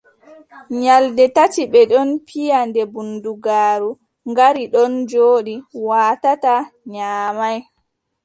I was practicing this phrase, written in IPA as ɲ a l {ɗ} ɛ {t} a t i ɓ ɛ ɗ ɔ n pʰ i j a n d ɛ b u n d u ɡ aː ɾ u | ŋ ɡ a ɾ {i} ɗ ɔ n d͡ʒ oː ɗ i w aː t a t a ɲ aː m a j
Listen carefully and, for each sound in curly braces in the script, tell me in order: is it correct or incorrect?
incorrect, correct, correct

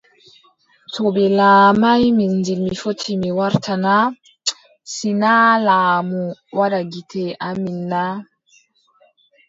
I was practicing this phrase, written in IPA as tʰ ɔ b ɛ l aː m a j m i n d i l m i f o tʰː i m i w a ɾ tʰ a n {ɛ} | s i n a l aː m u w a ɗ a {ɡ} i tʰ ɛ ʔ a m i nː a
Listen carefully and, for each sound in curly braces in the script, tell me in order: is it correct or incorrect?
incorrect, correct

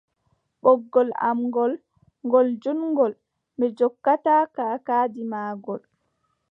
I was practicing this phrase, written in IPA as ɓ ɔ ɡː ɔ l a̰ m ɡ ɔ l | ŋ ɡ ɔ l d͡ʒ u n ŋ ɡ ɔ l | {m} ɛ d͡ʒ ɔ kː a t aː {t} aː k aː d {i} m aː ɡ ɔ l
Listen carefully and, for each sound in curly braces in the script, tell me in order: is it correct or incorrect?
correct, incorrect, correct

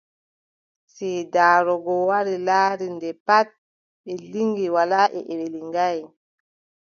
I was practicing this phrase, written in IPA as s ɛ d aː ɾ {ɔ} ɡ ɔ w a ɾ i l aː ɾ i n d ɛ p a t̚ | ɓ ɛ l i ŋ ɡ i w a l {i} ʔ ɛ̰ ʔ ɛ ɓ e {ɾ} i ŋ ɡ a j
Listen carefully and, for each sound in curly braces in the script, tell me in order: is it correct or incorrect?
correct, incorrect, incorrect

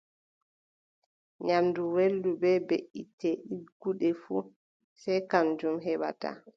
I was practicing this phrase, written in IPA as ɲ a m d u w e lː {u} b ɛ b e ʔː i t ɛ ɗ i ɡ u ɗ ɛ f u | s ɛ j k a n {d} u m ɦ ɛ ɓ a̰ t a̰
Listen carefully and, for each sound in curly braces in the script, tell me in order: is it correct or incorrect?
correct, incorrect

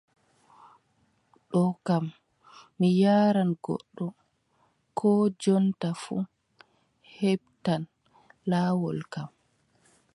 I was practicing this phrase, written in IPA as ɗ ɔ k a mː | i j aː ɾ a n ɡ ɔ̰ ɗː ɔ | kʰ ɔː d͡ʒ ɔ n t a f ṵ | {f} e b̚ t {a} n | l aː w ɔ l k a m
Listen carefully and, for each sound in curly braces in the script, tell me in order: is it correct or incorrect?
incorrect, correct

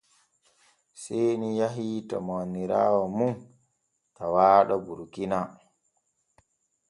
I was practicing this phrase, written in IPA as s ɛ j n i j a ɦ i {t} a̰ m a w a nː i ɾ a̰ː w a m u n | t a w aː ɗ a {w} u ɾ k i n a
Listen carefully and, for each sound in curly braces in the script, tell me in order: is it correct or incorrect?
correct, incorrect

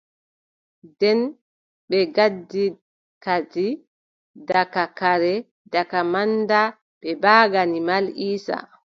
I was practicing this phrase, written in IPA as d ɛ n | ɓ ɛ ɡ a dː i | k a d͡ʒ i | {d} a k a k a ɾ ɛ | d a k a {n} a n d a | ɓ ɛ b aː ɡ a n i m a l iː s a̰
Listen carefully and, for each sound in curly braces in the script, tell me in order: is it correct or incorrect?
correct, incorrect

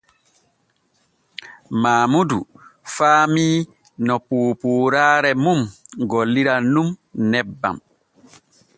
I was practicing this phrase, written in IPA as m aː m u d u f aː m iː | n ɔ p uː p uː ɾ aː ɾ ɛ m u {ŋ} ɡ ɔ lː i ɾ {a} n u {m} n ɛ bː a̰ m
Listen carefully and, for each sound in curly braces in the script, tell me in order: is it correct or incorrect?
incorrect, correct, correct

